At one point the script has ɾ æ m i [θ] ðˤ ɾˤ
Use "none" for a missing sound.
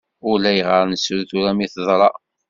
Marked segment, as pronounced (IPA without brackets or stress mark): θ